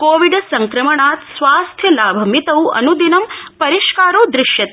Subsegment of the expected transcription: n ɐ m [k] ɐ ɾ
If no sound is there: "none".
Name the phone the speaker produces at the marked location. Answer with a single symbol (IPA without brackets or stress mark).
p